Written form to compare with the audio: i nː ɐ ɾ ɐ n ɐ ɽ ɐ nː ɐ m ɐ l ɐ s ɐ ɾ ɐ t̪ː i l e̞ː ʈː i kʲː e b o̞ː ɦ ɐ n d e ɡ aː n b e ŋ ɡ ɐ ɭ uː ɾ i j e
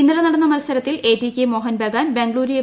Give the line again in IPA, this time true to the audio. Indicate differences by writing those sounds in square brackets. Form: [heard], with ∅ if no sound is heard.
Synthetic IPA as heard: i nː ɐ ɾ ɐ n ɐ ɽ ɐ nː ɐ m ɐ l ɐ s ɐ ɾ ɐ t̪ː i l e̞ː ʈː i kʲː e [m] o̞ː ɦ ɐ n [b] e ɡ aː n b e ŋ ɡ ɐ ɭ uː ɾ i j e